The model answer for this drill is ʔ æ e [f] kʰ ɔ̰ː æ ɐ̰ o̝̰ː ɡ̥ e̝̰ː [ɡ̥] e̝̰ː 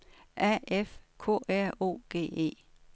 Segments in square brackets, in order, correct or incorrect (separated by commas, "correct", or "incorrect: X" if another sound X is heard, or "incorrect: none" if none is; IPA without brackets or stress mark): correct, incorrect: none